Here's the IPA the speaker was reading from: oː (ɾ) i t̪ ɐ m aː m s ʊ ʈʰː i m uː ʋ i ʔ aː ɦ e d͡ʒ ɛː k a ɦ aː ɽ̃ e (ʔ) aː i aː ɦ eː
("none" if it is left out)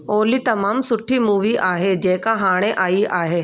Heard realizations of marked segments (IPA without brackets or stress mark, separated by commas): l, ʔ